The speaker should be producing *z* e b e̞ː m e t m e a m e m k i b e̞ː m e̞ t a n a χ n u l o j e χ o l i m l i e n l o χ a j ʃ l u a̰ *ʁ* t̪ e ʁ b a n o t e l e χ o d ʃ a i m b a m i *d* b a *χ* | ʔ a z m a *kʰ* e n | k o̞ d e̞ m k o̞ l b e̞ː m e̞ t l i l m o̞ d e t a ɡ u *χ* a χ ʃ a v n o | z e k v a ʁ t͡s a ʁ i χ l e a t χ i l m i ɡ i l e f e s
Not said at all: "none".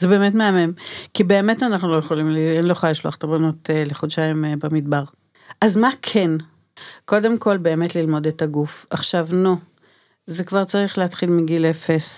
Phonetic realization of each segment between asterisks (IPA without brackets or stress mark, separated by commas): z, χ, d, ʁ, kʰ, f